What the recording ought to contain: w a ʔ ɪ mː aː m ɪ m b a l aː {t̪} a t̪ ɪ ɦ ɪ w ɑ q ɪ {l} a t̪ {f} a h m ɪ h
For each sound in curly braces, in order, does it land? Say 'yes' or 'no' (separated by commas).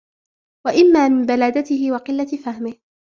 no, no, yes